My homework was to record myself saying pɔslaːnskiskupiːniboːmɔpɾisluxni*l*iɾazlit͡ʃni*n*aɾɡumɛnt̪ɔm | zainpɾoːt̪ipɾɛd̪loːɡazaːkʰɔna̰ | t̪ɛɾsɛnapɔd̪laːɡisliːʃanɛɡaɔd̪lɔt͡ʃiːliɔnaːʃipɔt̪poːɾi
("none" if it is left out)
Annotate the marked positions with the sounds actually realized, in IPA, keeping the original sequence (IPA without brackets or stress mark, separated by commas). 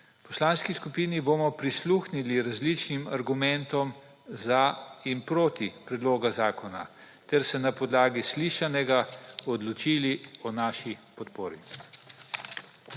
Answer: l, m